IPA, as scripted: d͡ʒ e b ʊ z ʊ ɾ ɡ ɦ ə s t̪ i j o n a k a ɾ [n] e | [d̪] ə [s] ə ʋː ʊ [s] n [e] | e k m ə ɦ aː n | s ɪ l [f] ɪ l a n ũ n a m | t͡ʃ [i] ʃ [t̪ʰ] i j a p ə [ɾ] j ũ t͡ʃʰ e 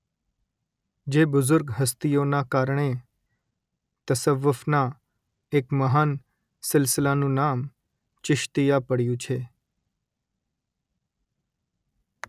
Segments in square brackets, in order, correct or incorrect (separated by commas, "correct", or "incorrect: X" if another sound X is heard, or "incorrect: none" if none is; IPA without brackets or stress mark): incorrect: ɳ, incorrect: t̪, correct, incorrect: f, incorrect: a, incorrect: s, incorrect: ɪ, incorrect: t̪, incorrect: ɽ